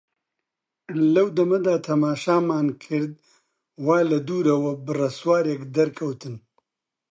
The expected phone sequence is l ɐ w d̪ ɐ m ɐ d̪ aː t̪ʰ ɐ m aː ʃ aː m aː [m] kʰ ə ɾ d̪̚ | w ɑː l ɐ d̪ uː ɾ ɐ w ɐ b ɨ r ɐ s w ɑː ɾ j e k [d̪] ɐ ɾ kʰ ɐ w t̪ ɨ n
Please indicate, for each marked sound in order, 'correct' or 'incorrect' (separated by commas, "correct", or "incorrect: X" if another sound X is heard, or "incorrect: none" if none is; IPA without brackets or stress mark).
incorrect: n, correct